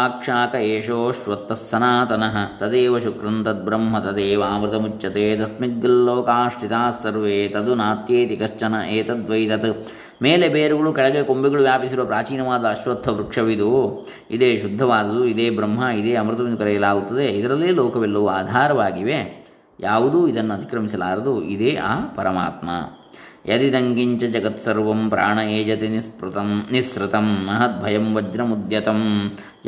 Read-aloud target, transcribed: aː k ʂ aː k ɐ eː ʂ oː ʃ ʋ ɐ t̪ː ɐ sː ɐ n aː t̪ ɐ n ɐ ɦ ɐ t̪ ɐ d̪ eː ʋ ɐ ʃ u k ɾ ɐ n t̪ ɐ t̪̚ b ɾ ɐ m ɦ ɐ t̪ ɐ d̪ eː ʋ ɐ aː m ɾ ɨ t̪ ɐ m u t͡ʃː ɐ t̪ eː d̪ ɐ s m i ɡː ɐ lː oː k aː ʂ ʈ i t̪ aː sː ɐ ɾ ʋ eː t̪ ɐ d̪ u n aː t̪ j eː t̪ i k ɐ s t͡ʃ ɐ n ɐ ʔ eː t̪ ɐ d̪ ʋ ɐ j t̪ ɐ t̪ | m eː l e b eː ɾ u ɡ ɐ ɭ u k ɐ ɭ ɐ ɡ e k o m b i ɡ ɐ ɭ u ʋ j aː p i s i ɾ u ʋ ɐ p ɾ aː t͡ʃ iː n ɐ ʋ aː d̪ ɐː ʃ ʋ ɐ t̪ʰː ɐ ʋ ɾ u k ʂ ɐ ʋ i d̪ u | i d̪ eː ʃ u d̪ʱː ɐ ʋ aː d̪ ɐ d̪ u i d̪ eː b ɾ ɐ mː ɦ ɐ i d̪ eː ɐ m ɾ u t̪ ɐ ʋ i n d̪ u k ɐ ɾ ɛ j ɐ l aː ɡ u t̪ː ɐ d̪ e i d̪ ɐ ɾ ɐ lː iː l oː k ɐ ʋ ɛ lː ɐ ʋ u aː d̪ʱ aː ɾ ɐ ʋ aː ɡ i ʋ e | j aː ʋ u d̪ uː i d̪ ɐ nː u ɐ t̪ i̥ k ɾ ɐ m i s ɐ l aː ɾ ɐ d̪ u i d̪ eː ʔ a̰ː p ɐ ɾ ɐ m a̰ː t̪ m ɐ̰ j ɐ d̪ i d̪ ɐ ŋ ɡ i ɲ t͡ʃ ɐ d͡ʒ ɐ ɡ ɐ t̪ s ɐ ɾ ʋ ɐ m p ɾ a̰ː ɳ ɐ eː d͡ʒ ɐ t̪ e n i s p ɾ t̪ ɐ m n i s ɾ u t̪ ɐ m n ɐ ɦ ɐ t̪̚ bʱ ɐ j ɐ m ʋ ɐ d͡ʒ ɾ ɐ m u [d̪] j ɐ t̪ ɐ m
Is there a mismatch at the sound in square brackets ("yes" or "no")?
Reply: no